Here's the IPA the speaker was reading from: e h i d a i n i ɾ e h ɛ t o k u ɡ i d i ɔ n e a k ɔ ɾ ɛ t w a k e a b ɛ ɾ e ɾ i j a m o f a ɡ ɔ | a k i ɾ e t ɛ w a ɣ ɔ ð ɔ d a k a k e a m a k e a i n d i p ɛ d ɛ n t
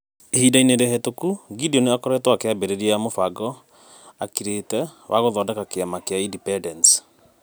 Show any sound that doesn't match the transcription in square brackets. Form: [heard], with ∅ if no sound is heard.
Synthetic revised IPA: e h i d a i n [e] ɾ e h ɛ t o k u ɡ i d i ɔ n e a k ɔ ɾ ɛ t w a k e a b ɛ ɾ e ɾ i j a m o f a ɡ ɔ | a k i ɾ e t ɛ w a ɣ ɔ ð ɔ d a k a k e a m a k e a i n d i p ɛ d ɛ n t